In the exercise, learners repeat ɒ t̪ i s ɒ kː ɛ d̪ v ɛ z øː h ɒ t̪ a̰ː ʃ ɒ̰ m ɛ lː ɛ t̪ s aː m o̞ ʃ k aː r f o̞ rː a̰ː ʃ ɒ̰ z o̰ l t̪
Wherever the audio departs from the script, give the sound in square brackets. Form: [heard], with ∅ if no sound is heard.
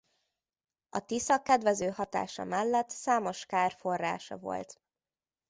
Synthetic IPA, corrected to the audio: ɒ t̪ i s ɒ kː ɛ d̪ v ɛ z øː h ɒ t̪ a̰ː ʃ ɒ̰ m ɛ lː ɛ t̪ s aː m o̞ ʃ k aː r f o̞ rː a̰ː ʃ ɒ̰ [v] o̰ l t̪

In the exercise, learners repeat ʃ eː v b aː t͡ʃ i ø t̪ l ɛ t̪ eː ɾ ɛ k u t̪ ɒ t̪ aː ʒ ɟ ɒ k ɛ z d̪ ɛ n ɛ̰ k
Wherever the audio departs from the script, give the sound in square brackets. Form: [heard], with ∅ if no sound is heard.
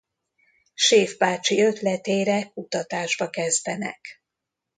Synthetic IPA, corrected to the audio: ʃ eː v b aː t͡ʃ i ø t̪ l ɛ t̪ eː ɾ ɛ k u t̪ ɒ t̪ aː ʒ [b] ɒ k ɛ z d̪ ɛ n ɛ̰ k

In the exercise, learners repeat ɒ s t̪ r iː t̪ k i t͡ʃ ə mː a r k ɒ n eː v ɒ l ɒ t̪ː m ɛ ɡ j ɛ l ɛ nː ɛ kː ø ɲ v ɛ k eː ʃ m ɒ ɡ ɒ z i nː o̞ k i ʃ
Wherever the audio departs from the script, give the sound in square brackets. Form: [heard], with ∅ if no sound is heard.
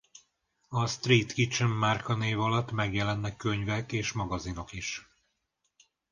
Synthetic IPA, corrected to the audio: ɒ s t̪ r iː t̪ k i t͡ʃ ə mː a r k ɒ n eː v ɒ l ɒ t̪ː m ɛ ɡ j ɛ l ɛ nː ɛ kː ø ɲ v ɛ k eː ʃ m ɒ ɡ ɒ z i [n] o̞ k i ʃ

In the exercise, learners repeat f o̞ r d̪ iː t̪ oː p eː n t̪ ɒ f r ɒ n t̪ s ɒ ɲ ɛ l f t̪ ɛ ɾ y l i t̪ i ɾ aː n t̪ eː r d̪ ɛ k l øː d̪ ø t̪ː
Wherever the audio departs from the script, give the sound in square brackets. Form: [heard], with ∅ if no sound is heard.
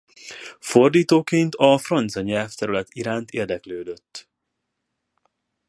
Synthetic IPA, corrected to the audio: f o̞ r d̪ iː t̪ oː [k] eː n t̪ ɒ f r ɒ n t̪ s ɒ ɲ ɛ l f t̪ ɛ ɾ y l [ɛ] t̪ i ɾ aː n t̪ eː r d̪ ɛ k l øː d̪ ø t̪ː

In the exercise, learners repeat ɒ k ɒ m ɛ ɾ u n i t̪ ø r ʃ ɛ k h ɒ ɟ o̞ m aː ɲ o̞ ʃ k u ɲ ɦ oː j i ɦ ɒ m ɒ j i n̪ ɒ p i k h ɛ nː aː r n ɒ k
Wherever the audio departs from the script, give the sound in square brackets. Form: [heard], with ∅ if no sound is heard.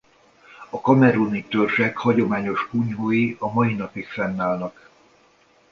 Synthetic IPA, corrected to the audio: ɒ k ɒ m ɛ ɾ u n i t̪ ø r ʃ ɛ k h ɒ ɟ o̞ m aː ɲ o̞ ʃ k u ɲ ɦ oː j i [∅] ɒ m ɒ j i n̪ ɒ p i k [f] ɛ nː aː [l] n ɒ k

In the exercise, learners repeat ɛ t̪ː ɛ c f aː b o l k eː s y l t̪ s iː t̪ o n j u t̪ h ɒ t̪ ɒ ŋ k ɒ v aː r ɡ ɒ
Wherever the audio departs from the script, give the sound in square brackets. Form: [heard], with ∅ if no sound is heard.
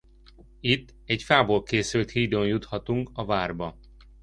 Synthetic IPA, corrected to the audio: [i] t̪ː ɛ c f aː b o l k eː s y l t̪ [h] iː [d̪] o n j u t̪ h ɒ t̪ [u] ŋ k ɒ v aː r [b] ɒ

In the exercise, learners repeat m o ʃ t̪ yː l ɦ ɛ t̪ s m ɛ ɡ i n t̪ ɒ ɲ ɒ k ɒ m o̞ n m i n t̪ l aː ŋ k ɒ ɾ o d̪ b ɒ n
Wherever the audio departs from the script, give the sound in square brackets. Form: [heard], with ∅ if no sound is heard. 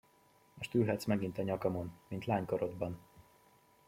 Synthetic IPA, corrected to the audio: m o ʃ t̪ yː l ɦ ɛ t̪ s m ɛ ɡ i n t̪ ɒ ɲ ɒ k ɒ m o̞ n m i n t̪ l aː [ɲ] k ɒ ɾ o d̪ b ɒ n

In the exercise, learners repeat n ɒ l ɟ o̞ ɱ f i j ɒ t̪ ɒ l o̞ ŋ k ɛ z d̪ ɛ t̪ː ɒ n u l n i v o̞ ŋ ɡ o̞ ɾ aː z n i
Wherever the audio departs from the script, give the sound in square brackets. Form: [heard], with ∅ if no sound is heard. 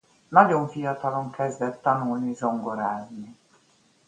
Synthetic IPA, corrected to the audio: n ɒ [∅] ɟ o̞ ɱ f i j ɒ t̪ ɒ l o̞ ŋ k ɛ z d̪ ɛ t̪ː ɒ n u l n i [z] o̞ ŋ ɡ o̞ ɾ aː z n i

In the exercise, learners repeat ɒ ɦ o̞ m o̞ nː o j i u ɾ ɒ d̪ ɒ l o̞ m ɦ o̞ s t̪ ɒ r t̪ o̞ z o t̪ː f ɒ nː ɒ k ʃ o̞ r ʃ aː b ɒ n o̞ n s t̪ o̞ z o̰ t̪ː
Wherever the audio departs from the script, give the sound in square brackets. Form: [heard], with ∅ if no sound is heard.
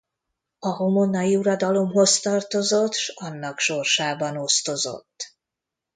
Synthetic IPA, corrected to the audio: ɒ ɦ o̞ m o̞ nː [ɒ] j i u ɾ ɒ d̪ ɒ l o̞ m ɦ o̞ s t̪ ɒ r t̪ o̞ z o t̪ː [ʃ] ɒ nː ɒ k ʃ o̞ r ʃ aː b ɒ n o̞ [∅] s t̪ o̞ z o̰ t̪ː

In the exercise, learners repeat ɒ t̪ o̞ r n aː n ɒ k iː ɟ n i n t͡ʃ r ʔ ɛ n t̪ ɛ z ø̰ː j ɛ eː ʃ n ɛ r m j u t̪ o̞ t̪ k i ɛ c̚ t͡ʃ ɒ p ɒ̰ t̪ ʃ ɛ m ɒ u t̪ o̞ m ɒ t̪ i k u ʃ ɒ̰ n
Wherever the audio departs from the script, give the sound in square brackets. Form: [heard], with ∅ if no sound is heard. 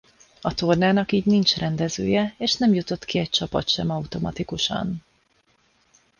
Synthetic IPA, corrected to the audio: ɒ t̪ o̞ r n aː n ɒ k iː ɟ n i n t͡ʃ r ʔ ɛ n [d̪] ɛ z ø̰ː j ɛ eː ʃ n ɛ [∅] m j u t̪ o̞ t̪ k i ɛ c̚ t͡ʃ ɒ p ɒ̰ t̪ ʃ ɛ m ɒ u t̪ o̞ m ɒ t̪ i k u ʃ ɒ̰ n

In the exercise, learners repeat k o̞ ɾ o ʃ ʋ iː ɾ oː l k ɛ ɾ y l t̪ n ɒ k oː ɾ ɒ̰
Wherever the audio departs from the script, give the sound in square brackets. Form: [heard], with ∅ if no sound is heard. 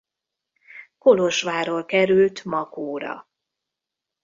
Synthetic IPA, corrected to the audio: k o̞ [l] o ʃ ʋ [aː] ɾ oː l k ɛ ɾ y l t̪ [m] ɒ k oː ɾ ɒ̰

